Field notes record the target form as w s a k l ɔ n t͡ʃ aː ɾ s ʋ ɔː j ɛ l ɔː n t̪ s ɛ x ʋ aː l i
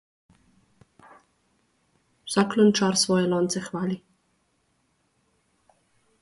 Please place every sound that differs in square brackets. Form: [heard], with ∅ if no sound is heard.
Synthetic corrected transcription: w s a k l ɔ n t͡ʃ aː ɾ s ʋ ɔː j ɛ l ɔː n t̪ s ɛ x ʋ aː l i